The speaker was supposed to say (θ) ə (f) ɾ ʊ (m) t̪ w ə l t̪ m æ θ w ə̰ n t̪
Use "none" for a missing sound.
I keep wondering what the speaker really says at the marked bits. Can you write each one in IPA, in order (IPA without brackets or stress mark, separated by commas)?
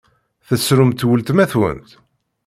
θ, s, m